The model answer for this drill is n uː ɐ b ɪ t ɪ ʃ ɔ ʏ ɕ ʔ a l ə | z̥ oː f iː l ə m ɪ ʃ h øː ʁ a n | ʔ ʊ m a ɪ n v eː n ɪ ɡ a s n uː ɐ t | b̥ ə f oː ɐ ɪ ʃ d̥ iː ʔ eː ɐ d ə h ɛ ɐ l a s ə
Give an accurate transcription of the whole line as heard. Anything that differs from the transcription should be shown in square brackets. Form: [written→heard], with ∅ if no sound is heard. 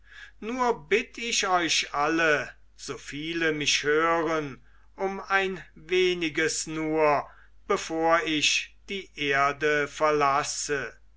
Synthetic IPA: n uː ɐ b ɪ t ɪ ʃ ɔ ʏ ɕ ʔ a l ə | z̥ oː f iː l ə m ɪ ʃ h øː ʁ [a→ə] n | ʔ ʊ m a ɪ n v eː n ɪ ɡ [a→ə] s n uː ɐ [t→∅] | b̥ ə f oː ɐ ɪ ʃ d̥ iː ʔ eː ɐ d ə [h→f] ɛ ɐ l a s ə